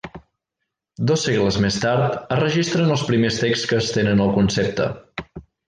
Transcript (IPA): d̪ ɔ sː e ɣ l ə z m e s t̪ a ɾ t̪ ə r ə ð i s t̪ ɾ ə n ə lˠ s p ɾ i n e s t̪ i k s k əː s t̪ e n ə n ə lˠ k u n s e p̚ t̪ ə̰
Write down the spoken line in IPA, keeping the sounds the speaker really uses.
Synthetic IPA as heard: d̪ ɔ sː e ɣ l ə z m e s t̪ a ɾ t̪ ə r ə ʒ i s t̪ ɾ ə n ə lˠ s p ɾ i m e s t̪ e k s k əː s t̪ e n ə n ə lˠ k u n s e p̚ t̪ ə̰

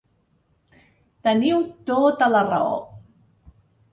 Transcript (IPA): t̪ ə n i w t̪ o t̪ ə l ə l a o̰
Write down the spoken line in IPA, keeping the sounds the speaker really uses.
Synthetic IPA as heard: t̪ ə n i w t̪ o t̪ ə l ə r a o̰

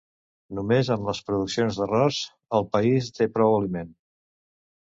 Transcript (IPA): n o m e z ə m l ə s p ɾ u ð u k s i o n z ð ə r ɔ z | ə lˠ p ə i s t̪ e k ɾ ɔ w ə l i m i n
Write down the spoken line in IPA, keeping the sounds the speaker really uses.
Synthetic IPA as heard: n u m e z ə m l ə s p ɾ u ð u k s i o n z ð ə r ɔ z | ə lˠ p ə i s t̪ e p ɾ ɔ w ə l i m e n

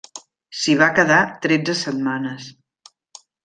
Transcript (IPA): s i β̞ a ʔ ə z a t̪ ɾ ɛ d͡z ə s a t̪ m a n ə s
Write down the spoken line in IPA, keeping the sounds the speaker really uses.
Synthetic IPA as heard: s i β̞ a k ə ð a t̪ ɾ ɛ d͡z ə s ə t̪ m a n ə s

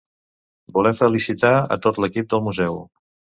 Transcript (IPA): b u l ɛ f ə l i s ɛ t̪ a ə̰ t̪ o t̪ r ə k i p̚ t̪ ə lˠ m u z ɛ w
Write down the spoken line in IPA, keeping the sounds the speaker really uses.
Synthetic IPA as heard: b u l ɛ f ə l i s i t̪ a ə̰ t̪ o t̪ l ə k i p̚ d̪ ə lˠ m u z ɛ w

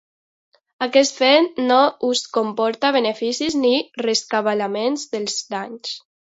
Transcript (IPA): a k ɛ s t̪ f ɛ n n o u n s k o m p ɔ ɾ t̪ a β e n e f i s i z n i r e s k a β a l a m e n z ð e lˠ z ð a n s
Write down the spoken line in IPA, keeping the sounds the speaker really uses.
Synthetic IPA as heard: a k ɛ s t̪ f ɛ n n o u s k o m p ɔ ɾ t̪ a β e n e f i s i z n i r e s k a β a l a m e n z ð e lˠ z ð a ɲ s

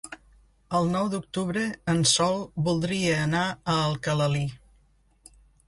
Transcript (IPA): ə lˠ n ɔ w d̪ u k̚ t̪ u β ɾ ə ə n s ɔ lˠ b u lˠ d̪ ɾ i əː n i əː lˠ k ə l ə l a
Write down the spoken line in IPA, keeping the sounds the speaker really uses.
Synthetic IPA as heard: ə lˠ n ɔ w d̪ u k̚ t̪ u β ɾ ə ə n s ɔ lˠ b u lˠ d̪ ɾ i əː n a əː lˠ k ə l ə l i

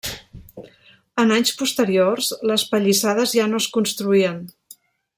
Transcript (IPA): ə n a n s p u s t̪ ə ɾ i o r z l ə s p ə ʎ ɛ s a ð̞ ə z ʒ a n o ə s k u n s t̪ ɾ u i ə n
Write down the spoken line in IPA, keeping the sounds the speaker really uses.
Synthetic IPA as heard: ə n a ɲ s p u s t̪ ə ɾ i o r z l ə s p ə ʎ i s a ð̞ ə z ʒ a n o ə s k u n s t̪ ɾ u i ə n

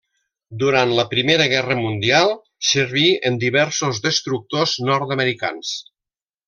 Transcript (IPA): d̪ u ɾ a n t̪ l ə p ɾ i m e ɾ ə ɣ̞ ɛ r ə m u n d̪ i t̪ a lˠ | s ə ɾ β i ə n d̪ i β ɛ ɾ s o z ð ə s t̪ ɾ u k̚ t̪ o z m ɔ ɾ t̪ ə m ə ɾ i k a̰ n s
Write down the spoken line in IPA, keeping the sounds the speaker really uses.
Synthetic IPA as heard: d̪ u ɾ a n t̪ l ə p ɾ i m e ɾ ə ɣ̞ ɛ r ə m u n d̪ i a lˠ | s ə ɾ β i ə n d̪ i β ɛ ɾ s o z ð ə s t̪ ɾ u k̚ t̪ o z n ɔ ɾ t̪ ə m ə ɾ i k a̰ n s

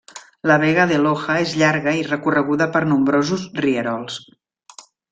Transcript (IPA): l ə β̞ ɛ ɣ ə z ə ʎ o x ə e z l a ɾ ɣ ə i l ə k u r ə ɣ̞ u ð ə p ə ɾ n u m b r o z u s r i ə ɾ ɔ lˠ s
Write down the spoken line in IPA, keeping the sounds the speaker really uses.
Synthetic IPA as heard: l ə β̞ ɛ ɣ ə ð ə l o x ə e z ʎ a ɾ ɣ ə i r ə k u r ə ɣ̞ u ð ə p ə ɾ n u m b ɾ o z u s r i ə ɾ ɔ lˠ s

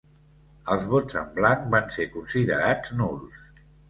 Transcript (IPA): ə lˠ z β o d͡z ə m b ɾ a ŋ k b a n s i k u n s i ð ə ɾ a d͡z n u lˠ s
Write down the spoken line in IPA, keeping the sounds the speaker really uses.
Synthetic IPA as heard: ə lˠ z β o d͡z ə m b l a ŋ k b a n s e k u n s i ð ə ɾ a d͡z n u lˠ s

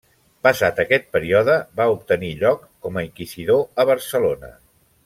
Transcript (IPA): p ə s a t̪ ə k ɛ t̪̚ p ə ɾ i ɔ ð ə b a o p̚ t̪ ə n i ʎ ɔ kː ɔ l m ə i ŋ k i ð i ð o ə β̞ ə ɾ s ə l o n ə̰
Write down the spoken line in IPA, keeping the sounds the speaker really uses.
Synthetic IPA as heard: p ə s a t̪ ə k ɛ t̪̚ p ə ɾ i ɔ ð ə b a u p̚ t̪ ə n i ʎ ɔ kː ɔ m ə i ŋ k i z i ð o ə β̞ ə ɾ s ə l o n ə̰

